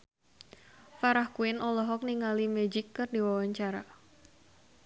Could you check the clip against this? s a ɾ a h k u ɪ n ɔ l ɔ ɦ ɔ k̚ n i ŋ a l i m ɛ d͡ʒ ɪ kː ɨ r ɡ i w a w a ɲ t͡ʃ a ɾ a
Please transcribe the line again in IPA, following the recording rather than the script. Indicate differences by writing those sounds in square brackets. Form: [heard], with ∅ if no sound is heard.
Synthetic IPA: [f] a ɾ a h k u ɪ n ɔ l ɔ ɦ ɔ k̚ n i ŋ a l i m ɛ d͡ʒ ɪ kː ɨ r [d] i w a w a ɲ t͡ʃ a ɾ a